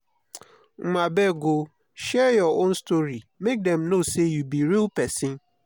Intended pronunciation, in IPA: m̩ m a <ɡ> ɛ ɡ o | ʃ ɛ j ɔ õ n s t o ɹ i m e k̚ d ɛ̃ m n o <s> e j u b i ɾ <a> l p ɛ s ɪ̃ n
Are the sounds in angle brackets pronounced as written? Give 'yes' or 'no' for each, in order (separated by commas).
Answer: no, yes, no